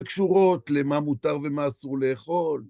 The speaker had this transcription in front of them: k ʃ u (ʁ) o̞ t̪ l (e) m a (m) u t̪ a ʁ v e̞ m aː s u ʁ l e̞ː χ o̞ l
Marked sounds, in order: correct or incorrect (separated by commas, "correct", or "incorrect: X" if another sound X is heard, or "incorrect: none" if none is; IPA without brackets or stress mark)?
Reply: correct, correct, correct